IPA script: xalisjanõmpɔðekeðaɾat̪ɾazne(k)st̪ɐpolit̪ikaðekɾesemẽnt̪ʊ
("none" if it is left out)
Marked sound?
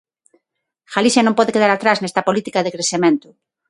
none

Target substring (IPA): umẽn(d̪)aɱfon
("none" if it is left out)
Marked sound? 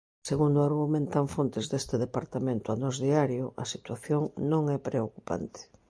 t̪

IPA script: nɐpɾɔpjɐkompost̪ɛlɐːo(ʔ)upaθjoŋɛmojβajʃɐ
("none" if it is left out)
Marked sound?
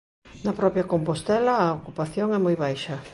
k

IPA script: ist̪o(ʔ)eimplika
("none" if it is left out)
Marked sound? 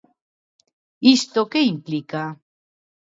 k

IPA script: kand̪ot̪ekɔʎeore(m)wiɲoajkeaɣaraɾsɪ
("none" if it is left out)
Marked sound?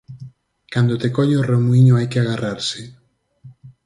m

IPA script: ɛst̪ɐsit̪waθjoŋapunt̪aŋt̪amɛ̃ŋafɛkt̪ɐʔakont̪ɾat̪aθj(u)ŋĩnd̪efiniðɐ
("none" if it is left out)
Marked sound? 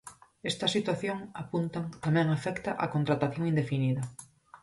o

